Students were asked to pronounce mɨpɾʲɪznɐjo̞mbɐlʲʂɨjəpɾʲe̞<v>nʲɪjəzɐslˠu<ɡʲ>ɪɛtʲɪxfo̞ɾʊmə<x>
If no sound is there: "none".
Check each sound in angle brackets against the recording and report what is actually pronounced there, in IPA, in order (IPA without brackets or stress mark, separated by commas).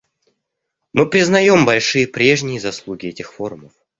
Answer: ʐ, ɡʲ, f